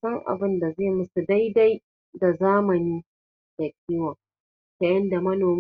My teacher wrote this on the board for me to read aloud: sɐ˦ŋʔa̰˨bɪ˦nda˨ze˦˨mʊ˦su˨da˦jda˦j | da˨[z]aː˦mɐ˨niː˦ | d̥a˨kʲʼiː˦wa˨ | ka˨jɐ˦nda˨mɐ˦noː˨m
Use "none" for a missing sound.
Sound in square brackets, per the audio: z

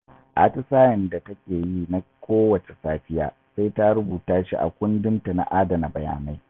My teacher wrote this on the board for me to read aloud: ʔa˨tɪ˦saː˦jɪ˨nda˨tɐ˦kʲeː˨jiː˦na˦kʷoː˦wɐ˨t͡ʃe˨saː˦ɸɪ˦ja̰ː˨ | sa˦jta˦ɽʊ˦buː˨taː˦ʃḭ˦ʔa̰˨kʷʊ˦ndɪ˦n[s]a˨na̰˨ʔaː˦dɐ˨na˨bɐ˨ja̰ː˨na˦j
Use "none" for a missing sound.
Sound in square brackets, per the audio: t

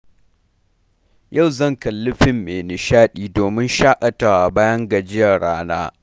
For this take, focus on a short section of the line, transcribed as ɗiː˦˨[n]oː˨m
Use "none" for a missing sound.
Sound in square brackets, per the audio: d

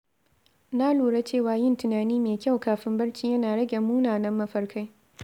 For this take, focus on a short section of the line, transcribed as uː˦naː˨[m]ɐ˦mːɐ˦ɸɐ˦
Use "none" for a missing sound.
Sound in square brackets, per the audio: n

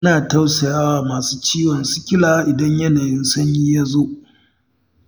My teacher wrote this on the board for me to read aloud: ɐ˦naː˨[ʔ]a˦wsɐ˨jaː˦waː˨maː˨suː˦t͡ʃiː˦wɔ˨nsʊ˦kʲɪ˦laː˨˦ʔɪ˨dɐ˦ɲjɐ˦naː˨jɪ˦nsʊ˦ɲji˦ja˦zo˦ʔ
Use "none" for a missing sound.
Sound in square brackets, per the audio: t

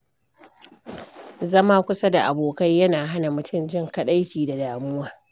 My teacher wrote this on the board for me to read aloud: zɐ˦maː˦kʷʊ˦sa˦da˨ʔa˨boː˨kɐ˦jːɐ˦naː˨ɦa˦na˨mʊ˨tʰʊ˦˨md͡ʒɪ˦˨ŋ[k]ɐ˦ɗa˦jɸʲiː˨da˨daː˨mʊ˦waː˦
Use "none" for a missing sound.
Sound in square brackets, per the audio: k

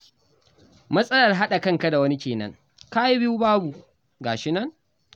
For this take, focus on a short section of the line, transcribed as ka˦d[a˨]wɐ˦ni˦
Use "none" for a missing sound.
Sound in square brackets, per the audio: a˨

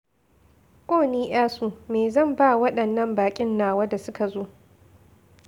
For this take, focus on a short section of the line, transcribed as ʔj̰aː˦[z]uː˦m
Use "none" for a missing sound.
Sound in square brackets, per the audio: s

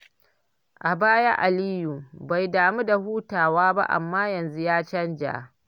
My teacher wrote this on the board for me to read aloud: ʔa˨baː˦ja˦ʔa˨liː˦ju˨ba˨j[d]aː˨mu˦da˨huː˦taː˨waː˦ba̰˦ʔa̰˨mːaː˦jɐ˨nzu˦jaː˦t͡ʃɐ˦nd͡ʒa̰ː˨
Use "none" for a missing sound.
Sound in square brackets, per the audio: d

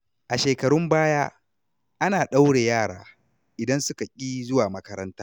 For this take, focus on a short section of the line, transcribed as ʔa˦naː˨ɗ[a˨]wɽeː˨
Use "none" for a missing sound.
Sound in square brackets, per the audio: a˦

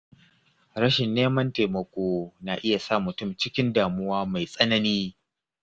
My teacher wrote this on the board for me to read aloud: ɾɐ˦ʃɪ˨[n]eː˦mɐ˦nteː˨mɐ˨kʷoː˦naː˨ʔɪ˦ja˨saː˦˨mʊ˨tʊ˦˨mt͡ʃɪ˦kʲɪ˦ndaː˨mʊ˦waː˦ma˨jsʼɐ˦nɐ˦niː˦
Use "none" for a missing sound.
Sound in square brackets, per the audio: nː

